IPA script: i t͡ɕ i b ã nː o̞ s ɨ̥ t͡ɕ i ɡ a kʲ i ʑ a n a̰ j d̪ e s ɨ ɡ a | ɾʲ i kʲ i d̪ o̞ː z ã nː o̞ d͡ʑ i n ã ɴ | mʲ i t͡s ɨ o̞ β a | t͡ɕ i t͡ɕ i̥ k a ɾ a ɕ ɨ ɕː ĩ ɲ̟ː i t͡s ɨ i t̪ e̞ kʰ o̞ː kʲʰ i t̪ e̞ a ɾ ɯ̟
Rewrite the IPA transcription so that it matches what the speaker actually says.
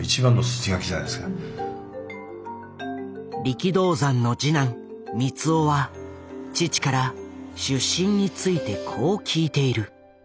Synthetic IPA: i t͡ɕ i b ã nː o̞ s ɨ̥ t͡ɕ i ɡ a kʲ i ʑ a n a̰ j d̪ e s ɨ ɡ a | ɾʲ i kʲ i d̪ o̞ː z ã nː o̞ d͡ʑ i n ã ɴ | mʲ i t͡s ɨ o̞ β a | t͡ɕ i t͡ɕ i̥ k a ɾ a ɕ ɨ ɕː ĩ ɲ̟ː i t͡s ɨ i t̪ e̞ kʰ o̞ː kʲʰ iː t̪ e̞ i ɾ ɯ̟